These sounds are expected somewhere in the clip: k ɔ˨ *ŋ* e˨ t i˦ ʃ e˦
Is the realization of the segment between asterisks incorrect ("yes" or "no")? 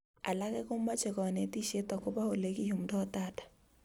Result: yes